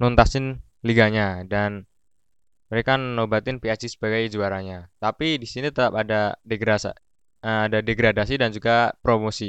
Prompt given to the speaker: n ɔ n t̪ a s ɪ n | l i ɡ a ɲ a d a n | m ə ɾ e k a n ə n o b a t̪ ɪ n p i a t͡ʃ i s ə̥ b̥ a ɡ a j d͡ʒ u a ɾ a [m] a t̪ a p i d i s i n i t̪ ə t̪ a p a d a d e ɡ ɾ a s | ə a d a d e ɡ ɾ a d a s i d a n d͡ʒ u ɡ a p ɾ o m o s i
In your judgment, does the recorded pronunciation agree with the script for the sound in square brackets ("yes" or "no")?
no